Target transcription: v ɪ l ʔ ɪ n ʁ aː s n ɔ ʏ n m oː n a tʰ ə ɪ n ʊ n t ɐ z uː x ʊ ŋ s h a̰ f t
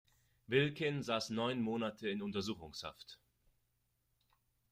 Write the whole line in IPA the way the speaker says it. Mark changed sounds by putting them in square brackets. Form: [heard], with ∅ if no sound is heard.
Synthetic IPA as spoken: v ɪ l [k] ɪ n [z] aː s n ɔ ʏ n m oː n a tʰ ə ɪ n ʊ n t ɐ z uː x ʊ ŋ s h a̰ f t